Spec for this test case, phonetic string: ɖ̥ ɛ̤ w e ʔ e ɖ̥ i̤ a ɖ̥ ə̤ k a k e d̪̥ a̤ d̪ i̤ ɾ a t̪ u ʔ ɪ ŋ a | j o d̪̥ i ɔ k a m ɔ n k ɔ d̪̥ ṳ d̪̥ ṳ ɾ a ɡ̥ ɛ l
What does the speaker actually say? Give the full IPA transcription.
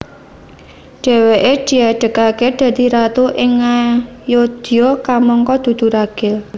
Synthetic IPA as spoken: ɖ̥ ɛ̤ w e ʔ e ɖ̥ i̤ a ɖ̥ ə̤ k a k e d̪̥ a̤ d̪ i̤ ɾ a t̪ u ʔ ɪ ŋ a | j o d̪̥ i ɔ k a m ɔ ŋ k ɔ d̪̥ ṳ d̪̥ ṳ ɾ a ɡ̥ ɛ l